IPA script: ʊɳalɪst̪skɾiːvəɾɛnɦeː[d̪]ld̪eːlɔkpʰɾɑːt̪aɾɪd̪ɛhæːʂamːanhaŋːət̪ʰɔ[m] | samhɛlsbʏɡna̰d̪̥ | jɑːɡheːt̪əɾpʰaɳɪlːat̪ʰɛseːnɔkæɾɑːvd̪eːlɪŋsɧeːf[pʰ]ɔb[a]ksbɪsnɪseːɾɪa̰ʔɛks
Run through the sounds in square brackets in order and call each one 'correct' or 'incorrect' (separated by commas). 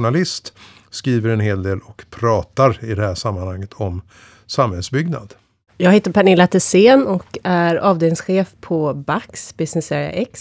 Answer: incorrect, correct, correct, correct